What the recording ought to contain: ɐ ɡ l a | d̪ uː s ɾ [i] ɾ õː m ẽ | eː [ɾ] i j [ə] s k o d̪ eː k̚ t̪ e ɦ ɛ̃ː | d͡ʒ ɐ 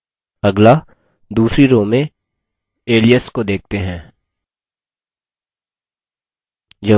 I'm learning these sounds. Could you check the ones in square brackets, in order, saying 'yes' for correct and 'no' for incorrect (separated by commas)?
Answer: yes, no, yes